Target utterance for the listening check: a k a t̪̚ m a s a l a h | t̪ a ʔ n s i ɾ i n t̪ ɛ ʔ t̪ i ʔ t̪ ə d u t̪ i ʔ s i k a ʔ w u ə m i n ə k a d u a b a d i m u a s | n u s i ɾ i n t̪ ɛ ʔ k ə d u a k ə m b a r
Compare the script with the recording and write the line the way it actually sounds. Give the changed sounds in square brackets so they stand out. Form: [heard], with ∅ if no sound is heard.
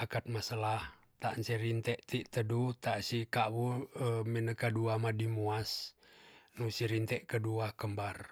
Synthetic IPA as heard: a k a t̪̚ m a s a l a h | t̪ a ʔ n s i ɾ i n t̪ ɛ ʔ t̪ i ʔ t̪ ə d u t̪ [a] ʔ s i k a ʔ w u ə m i n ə k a d u a [m] a d i m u a s | n u s i ɾ i n t̪ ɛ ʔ k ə d u a k ə m b a r